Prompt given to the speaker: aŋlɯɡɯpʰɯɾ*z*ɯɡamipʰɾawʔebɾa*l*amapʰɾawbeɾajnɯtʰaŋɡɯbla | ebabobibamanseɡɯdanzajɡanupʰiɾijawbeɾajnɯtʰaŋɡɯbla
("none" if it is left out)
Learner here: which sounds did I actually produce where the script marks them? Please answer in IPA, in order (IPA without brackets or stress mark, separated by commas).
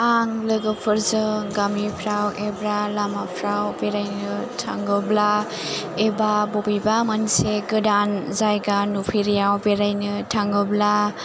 z, l